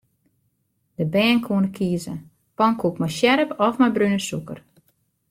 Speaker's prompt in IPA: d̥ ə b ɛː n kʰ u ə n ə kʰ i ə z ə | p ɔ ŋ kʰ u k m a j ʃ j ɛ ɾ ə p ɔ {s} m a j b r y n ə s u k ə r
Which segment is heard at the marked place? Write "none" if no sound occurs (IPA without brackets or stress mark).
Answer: f